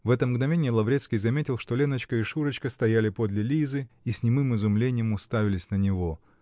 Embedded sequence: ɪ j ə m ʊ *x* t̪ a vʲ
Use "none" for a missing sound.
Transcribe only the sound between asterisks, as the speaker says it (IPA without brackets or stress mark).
s